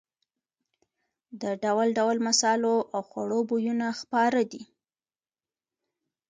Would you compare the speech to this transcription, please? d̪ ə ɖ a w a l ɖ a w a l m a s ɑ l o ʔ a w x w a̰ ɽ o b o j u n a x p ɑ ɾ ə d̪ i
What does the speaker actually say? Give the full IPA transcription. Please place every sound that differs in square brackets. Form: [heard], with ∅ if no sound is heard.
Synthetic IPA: d̪ ə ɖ a w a l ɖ a w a l m a s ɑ l o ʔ a w x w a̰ ɽ o b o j u n a x p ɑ ɾ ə d̪ i